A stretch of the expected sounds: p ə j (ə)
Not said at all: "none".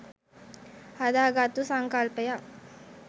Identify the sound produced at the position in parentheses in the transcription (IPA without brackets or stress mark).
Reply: a